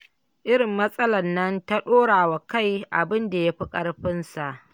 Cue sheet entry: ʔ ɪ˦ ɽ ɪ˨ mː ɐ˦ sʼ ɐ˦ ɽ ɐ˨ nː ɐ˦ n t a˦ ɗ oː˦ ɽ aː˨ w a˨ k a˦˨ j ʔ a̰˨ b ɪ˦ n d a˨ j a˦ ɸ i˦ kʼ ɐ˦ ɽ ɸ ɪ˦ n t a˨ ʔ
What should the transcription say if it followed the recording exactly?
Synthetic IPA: ʔ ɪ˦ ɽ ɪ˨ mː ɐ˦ sʼ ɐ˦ l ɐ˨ nː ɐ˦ n t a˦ ɗ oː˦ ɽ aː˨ w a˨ k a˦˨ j ʔ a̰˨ b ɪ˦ n d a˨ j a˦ ɸ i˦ kʼ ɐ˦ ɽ ɸ ɪ˦ n s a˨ ʔ